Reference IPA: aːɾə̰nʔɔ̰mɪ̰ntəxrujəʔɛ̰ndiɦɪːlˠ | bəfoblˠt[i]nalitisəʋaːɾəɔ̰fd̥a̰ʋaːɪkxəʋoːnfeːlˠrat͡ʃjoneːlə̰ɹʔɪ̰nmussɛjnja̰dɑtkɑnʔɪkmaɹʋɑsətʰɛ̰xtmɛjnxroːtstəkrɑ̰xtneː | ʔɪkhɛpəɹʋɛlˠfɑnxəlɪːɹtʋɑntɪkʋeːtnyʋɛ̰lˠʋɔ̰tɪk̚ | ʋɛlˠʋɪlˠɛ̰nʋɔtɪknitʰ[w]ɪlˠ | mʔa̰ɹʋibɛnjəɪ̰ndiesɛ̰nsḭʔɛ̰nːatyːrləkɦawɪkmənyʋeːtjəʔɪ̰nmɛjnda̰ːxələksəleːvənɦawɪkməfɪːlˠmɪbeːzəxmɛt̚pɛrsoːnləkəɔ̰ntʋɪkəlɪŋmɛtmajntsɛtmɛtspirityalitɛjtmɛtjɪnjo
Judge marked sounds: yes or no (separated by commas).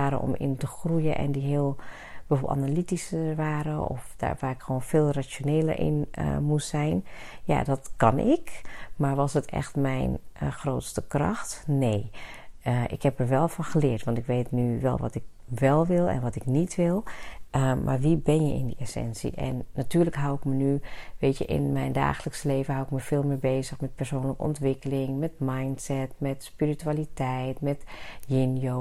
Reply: no, no